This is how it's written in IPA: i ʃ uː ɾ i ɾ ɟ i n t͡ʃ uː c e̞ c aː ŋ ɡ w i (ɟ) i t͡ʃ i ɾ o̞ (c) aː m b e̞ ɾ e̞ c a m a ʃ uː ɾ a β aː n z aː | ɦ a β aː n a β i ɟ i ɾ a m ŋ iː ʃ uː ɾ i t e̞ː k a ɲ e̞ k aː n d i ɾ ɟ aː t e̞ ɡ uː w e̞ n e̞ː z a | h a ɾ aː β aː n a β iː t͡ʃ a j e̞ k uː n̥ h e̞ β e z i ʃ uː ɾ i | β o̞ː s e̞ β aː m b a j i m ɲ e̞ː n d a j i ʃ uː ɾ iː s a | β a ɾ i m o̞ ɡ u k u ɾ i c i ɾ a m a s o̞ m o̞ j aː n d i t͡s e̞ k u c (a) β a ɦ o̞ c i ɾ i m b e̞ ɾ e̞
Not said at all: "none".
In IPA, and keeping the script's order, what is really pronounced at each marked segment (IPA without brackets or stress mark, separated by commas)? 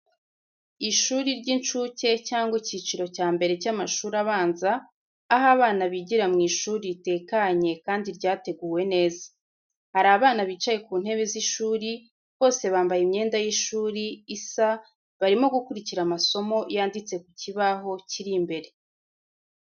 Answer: c, c, i